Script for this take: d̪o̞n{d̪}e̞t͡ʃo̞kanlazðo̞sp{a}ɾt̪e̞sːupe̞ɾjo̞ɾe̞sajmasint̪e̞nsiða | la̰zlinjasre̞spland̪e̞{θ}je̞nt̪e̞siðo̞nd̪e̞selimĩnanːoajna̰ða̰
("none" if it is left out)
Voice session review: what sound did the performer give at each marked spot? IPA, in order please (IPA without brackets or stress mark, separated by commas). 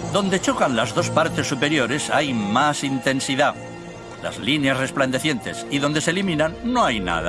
d̪, a, θ